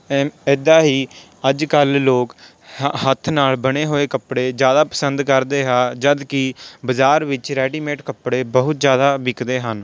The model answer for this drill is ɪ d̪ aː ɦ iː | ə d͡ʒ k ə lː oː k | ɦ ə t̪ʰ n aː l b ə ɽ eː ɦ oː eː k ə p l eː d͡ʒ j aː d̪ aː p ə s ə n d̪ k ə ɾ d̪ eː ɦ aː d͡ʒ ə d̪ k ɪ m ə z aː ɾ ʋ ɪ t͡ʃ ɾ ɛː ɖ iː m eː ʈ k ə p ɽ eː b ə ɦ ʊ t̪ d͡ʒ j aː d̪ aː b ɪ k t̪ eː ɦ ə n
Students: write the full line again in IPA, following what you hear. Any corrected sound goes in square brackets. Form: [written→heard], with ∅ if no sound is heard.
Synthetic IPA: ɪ d̪ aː ɦ iː | ə d͡ʒ k ə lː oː k | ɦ ə t̪ʰ n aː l b ə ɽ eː ɦ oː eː k ə p [l→ɽ] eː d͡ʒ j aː d̪ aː p ə s ə n d̪ k ə ɾ d̪ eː ɦ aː d͡ʒ ə d̪ k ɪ [m→b] ə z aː ɾ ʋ ɪ t͡ʃ ɾ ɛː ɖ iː m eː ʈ k ə p ɽ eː b ə ɦ ʊ t̪ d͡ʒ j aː d̪ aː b ɪ k [t̪→d̪] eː ɦ ə n